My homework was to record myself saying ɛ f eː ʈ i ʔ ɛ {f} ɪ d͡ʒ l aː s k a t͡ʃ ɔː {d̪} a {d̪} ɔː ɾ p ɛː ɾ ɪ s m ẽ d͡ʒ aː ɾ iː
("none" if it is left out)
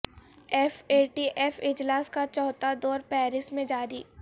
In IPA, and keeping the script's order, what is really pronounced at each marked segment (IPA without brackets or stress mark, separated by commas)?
f, t̪, d̪